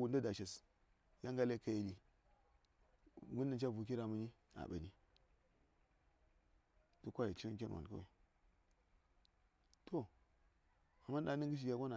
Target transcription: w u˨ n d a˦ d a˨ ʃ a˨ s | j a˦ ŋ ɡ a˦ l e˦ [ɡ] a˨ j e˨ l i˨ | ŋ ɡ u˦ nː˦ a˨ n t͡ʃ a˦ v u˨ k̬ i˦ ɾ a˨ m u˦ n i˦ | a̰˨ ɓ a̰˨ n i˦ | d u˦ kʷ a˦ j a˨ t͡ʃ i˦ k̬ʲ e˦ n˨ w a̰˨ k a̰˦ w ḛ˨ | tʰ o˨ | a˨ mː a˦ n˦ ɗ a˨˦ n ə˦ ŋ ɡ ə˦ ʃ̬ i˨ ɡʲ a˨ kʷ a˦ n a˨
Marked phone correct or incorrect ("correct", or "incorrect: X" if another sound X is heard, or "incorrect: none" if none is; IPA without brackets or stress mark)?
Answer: incorrect: k